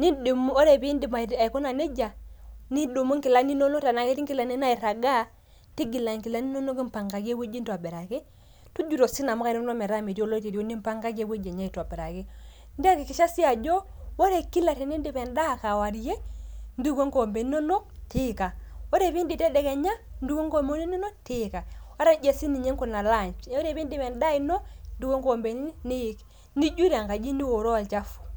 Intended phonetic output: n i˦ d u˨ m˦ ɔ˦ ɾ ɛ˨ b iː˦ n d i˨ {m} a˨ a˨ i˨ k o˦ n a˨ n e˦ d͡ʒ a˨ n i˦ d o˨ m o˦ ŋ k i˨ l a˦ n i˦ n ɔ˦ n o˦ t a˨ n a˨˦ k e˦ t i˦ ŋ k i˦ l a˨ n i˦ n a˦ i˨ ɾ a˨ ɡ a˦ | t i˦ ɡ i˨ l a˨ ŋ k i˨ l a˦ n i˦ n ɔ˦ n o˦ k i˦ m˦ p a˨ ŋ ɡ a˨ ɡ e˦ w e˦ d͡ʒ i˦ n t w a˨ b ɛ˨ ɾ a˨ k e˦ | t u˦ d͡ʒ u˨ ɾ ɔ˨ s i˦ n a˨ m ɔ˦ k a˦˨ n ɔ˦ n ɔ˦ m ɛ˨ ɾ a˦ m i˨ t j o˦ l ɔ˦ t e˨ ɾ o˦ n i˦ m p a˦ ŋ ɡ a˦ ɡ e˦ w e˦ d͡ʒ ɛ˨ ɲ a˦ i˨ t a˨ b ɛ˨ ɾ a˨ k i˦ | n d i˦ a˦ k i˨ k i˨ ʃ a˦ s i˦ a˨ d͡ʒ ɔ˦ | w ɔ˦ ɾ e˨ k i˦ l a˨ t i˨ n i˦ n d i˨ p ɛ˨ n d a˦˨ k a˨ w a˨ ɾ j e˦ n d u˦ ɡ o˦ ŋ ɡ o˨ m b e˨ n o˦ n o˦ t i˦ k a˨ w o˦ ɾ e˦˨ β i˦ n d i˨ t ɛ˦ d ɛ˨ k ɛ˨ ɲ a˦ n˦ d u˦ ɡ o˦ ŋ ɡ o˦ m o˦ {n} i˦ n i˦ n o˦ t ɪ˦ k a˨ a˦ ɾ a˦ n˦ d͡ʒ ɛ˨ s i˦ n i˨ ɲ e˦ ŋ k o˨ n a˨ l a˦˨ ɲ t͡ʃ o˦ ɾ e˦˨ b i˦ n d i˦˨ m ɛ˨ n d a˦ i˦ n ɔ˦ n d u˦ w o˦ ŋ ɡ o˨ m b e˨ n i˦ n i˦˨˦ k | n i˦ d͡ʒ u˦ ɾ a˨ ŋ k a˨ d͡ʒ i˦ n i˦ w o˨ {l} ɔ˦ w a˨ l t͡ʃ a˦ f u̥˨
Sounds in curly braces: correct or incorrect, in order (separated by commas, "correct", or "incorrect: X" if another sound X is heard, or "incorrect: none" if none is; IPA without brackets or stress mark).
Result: correct, correct, incorrect: ɾ